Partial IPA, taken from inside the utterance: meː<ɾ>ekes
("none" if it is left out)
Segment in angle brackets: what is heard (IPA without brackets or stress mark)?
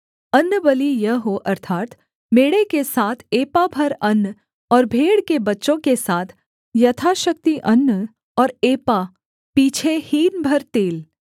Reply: ɽ